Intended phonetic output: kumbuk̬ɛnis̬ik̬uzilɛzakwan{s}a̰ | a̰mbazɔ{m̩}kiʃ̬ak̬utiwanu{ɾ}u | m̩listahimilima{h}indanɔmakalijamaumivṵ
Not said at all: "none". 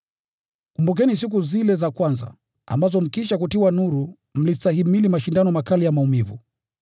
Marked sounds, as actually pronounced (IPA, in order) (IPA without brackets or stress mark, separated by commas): z, m̩, ɾ, ʃ